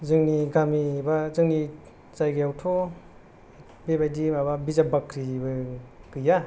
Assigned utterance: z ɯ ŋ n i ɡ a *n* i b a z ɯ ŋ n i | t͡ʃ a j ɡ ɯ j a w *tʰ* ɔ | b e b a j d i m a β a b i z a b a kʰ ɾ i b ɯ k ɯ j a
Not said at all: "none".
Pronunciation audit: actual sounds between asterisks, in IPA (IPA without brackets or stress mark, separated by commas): m, tʰ